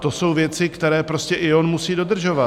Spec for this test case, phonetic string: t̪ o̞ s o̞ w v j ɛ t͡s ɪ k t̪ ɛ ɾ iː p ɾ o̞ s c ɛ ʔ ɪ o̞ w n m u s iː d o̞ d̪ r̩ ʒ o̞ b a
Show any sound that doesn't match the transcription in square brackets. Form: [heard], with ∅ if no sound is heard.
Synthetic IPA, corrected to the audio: t̪ o̞ s o̞ w v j ɛ t͡s ɪ k t̪ ɛ ɾ [ɛː] p ɾ o̞ s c ɛ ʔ ɪ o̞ [∅] n m u s iː d o̞ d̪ r̩ ʒ o̞ [v] a